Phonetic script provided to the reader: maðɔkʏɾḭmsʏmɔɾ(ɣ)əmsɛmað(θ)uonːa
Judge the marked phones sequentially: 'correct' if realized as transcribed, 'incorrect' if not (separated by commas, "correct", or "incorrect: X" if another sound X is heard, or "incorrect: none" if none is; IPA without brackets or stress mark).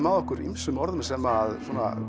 incorrect: ð, incorrect: s